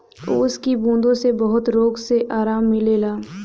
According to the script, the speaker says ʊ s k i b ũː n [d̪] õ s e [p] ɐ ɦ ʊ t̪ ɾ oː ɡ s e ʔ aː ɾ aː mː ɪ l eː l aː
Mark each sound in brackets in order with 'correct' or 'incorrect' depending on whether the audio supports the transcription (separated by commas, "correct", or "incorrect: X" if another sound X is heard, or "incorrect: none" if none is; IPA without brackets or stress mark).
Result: correct, incorrect: b